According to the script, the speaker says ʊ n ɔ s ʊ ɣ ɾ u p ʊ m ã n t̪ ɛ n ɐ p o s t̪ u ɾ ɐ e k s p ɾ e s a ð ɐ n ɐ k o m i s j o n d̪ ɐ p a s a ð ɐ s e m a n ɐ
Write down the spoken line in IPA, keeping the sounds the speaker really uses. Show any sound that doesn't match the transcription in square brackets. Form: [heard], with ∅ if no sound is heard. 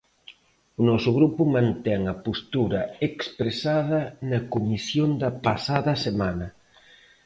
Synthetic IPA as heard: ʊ n ɔ s ʊ ɣ ɾ u p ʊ m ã n t̪ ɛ [ŋ] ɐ p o s t̪ u ɾ ɐ e k s p ɾ e s a ð ɐ n ɐ k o m i s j o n d̪ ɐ p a s a ð ɐ s e m a n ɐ